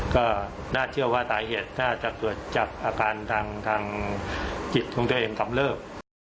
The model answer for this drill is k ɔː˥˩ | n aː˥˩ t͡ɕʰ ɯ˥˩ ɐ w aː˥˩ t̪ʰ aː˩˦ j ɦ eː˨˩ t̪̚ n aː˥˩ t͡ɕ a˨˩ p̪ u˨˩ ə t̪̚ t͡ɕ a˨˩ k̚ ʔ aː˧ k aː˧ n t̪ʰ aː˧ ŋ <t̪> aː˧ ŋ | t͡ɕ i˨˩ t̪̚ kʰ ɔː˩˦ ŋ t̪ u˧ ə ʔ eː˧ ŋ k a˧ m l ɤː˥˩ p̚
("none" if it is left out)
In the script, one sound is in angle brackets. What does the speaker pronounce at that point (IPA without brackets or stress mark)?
t̪ʰ